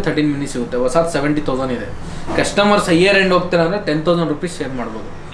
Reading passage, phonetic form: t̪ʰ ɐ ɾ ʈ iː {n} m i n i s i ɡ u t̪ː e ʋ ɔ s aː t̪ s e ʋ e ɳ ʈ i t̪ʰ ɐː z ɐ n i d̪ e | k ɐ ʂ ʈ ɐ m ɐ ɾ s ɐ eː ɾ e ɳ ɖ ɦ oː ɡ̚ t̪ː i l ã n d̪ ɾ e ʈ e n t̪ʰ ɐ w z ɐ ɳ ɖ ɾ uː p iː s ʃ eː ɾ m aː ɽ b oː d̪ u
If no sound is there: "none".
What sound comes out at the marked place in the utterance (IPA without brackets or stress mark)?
n